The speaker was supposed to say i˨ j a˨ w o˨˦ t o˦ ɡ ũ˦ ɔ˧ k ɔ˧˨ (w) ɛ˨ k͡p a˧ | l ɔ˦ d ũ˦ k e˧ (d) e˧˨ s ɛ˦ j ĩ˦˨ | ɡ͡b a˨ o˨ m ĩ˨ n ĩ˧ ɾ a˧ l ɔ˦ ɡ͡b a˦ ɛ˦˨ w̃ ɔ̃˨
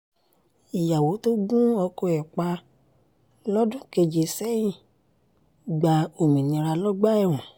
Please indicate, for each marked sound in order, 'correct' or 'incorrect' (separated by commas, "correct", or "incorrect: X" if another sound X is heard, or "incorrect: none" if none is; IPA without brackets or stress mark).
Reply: incorrect: none, incorrect: d͡ʒ